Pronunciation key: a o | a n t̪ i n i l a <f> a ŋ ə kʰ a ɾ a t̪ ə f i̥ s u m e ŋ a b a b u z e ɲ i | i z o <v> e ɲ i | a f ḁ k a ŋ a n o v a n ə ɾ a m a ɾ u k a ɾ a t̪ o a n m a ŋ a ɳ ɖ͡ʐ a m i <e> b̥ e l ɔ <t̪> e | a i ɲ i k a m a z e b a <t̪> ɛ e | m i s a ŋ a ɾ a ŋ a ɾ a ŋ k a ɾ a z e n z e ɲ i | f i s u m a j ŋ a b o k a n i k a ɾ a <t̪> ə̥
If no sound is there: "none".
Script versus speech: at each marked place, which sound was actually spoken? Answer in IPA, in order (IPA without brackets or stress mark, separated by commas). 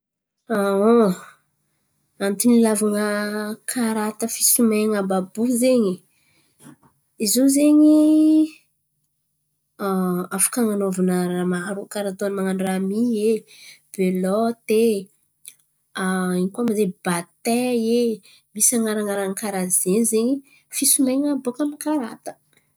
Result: v, z, e, t̪, t̪, t̪